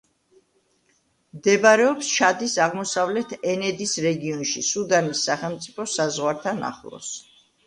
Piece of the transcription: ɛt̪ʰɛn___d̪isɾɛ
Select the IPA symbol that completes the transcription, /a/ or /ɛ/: ɛ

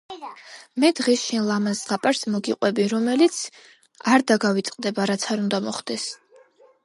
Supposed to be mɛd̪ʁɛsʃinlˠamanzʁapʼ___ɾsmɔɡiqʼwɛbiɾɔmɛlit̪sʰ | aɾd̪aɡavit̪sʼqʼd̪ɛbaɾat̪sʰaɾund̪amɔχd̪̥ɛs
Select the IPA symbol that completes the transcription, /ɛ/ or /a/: a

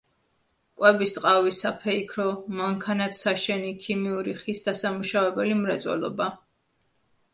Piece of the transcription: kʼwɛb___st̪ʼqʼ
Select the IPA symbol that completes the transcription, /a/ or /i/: i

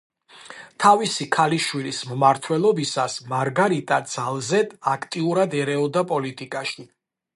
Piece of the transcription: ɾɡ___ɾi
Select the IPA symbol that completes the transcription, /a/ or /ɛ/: a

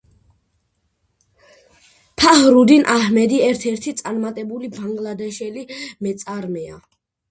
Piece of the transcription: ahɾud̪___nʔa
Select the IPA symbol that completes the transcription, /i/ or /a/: i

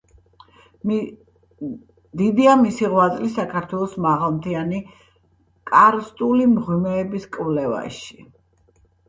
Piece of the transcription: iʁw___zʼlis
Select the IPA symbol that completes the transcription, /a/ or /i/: a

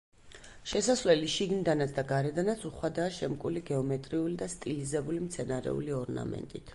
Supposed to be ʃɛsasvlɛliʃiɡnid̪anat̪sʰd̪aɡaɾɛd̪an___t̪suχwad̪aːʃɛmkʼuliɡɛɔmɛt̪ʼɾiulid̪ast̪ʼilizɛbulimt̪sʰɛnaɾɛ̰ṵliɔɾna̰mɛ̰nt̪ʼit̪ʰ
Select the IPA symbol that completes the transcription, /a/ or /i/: a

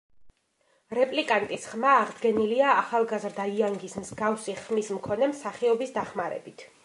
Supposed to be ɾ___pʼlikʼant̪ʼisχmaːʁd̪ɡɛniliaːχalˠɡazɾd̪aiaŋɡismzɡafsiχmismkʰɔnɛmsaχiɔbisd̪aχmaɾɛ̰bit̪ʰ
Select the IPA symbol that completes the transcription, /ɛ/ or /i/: ɛ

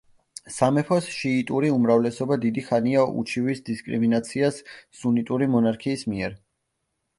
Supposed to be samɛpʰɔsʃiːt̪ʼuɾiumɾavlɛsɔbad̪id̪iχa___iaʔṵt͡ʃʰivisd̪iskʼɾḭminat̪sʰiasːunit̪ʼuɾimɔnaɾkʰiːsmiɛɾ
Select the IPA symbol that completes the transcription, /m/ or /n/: n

